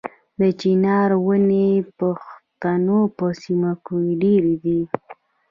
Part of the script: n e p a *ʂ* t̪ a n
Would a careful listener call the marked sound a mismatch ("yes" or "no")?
yes